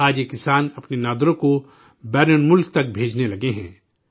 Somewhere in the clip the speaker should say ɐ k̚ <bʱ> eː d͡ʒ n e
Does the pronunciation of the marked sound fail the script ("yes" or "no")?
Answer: no